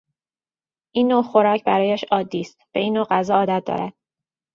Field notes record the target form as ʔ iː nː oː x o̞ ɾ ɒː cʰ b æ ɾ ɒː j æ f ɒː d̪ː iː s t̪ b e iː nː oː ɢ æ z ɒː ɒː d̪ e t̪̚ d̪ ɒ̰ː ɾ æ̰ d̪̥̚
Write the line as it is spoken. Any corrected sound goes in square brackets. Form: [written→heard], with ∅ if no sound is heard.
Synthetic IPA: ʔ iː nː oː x o̞ ɾ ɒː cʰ b æ ɾ ɒː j æ [f→ʃ] ɒː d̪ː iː s t̪ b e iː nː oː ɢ æ z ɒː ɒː d̪ [e→æ] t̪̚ d̪ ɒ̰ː ɾ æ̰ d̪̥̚